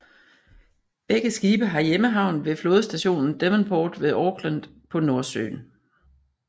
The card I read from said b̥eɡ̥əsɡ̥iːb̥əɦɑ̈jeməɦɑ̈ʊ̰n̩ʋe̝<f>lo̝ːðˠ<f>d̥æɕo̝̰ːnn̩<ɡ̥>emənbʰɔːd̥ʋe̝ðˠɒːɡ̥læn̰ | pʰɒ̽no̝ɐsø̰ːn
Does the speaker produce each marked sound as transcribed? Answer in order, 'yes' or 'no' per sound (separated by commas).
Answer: yes, no, no